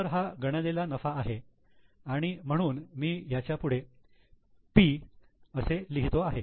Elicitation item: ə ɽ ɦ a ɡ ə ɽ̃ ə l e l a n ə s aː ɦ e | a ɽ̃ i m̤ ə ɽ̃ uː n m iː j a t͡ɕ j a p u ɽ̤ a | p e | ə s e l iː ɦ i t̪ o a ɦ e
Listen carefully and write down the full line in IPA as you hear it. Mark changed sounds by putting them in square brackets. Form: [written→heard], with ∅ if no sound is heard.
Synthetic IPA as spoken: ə [ɽ→ɾ] ɦ a ɡ ə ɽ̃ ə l e l a n ə [s→f] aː ɦ e | a ɽ̃ i m̤ ə ɽ̃ uː n m iː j a t͡ɕ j a p u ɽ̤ [a→e] | p [e→i] | ə s e l [iː→i] ɦ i t̪ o a ɦ e